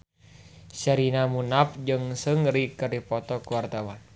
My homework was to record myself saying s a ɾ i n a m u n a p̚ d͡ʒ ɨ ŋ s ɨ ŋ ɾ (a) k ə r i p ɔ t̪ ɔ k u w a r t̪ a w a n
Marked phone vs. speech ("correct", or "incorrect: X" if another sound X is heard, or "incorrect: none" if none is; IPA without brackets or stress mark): incorrect: i